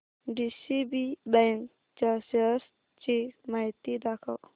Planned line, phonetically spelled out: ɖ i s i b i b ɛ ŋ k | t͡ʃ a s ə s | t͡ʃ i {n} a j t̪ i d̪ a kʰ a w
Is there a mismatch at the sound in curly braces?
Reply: yes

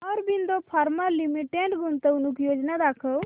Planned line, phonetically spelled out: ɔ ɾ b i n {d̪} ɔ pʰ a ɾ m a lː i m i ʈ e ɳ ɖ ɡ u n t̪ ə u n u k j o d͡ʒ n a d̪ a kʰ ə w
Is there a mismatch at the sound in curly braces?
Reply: no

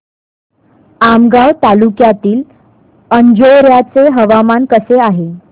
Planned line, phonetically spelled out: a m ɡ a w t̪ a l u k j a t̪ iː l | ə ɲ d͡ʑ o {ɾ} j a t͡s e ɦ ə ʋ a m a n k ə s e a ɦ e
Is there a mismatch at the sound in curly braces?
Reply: no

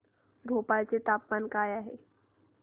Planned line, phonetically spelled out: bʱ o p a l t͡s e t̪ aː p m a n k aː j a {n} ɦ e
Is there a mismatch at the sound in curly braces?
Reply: yes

